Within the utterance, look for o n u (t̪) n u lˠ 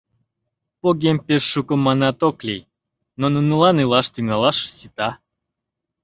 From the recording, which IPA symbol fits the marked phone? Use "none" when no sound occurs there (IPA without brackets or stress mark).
none